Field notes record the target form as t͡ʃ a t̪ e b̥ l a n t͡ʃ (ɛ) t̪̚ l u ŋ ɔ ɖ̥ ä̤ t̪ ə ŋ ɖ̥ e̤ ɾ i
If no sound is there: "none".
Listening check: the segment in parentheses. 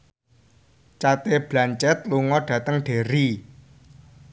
ɛ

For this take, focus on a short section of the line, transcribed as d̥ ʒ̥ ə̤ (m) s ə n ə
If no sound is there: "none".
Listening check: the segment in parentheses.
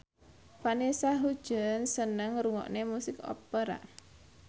n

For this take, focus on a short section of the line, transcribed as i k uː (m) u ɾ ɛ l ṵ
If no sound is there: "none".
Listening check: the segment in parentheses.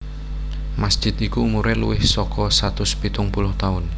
m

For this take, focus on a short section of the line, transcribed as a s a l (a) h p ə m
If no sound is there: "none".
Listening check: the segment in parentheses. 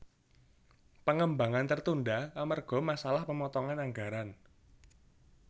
a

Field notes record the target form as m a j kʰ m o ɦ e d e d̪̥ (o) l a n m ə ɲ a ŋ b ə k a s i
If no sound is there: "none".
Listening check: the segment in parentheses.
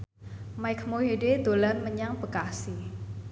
o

